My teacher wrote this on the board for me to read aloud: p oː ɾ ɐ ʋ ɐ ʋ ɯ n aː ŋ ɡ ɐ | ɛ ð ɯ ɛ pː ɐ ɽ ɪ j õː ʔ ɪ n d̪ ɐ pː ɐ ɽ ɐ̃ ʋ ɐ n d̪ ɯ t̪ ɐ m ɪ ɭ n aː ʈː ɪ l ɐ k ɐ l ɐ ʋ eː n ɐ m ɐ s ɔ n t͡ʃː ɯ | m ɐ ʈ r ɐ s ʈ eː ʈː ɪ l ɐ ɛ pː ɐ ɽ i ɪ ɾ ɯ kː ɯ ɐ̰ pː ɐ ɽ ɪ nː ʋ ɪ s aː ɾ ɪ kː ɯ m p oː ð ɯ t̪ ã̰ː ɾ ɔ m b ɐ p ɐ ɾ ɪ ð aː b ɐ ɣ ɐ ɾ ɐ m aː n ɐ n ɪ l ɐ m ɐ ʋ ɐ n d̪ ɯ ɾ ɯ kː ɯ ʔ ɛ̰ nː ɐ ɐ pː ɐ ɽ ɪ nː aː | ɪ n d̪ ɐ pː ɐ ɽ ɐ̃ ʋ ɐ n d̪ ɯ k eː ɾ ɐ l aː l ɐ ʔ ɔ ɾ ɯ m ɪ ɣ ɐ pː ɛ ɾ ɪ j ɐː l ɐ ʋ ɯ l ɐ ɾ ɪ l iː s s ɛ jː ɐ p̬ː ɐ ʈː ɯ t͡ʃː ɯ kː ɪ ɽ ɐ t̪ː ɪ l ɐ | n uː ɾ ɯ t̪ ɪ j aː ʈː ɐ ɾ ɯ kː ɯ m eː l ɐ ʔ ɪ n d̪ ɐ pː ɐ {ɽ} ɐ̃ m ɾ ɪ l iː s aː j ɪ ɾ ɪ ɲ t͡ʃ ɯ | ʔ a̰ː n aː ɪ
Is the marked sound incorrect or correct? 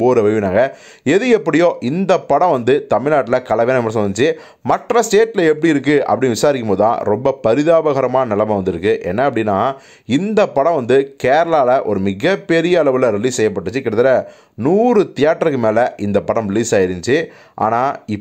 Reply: correct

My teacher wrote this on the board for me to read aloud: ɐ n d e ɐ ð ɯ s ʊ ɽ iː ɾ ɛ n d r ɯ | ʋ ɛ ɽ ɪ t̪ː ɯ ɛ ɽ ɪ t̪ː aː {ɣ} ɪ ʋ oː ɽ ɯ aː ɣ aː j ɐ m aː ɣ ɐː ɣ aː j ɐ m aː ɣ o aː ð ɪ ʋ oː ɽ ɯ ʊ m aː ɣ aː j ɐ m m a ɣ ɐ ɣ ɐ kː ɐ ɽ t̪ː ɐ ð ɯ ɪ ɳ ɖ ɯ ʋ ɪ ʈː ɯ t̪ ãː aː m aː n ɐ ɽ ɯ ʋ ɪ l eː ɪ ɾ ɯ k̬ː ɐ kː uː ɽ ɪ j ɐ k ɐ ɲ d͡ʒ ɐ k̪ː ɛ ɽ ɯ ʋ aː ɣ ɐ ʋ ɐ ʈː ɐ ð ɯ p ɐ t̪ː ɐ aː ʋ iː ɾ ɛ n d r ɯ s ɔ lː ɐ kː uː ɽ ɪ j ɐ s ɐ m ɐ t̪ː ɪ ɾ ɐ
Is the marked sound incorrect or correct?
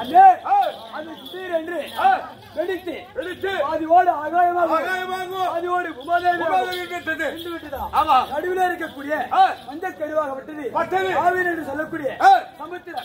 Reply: incorrect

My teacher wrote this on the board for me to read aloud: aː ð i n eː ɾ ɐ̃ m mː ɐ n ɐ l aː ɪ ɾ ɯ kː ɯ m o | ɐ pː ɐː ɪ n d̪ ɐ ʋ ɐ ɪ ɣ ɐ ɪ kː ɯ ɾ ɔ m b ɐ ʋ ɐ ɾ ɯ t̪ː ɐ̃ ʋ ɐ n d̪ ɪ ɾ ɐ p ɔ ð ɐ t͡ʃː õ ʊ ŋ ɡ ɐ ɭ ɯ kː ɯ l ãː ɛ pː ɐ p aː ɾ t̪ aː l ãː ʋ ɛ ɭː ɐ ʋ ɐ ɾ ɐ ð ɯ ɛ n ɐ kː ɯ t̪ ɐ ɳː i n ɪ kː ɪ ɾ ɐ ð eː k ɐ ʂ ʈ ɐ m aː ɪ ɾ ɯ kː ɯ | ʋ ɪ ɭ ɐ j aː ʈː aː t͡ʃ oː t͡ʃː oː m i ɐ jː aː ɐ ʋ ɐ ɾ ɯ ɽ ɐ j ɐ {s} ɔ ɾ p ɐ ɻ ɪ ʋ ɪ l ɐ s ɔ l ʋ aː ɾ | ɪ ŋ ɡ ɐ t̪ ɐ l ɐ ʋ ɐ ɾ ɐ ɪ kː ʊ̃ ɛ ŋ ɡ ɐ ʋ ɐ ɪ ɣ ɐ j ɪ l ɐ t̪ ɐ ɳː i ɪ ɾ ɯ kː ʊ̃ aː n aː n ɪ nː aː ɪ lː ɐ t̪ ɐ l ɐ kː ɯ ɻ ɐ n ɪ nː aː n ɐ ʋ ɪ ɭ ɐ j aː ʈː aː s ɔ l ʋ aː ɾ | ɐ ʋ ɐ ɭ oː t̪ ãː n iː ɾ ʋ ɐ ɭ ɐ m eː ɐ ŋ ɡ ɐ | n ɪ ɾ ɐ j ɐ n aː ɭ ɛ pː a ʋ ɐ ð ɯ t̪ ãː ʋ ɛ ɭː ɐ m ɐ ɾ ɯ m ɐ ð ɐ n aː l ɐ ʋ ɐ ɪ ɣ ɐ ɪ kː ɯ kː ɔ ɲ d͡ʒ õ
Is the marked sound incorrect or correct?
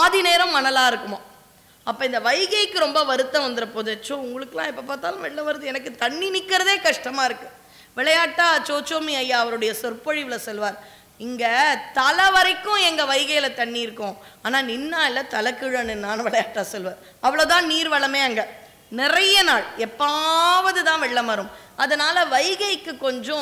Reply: correct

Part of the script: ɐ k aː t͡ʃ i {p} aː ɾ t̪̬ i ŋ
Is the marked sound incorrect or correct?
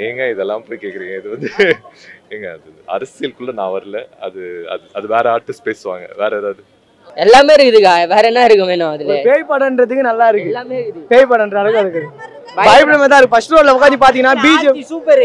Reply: correct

